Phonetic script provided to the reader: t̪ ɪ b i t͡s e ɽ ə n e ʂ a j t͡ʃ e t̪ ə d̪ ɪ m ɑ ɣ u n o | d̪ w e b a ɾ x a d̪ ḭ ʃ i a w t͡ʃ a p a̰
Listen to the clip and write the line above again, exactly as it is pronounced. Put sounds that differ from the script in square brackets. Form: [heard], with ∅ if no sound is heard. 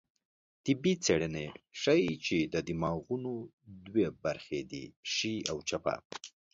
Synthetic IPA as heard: t̪ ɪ b i t͡s e ɽ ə n e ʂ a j t͡ʃ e [d̪] ə d̪ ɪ m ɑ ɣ u n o | d̪ w e b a ɾ x [e] d̪ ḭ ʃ i a w t͡ʃ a p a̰